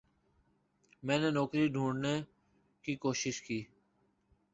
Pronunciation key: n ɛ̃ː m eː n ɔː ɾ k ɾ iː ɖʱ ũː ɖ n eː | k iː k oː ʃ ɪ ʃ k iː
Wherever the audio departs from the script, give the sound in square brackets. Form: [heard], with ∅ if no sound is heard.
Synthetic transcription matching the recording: [m] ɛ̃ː [n] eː n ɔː [∅] k ɾ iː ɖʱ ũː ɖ n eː | k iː k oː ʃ ɪ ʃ k iː